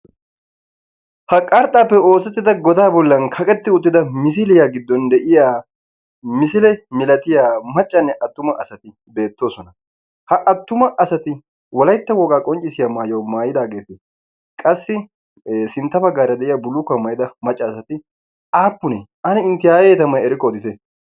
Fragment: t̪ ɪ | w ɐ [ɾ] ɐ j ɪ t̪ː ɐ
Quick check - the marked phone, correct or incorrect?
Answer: incorrect